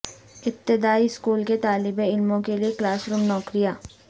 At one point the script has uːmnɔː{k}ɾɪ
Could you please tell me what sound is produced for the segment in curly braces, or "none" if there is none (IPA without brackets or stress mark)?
k